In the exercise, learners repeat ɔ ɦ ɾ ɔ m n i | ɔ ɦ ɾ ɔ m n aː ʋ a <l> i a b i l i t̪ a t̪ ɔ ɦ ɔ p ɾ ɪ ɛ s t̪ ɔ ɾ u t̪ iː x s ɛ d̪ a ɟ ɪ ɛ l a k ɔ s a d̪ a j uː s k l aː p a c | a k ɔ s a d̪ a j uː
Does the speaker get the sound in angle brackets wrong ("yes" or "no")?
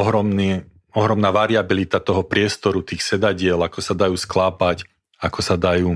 yes